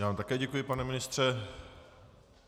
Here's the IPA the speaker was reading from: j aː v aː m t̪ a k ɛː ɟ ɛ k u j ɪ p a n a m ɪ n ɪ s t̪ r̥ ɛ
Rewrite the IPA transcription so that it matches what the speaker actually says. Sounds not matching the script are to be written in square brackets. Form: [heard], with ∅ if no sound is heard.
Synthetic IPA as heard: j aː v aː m t̪ a k ɛː ɟ ɛ k u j ɪ p a n [ɛ] m ɪ n ɪ s t̪ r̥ ɛ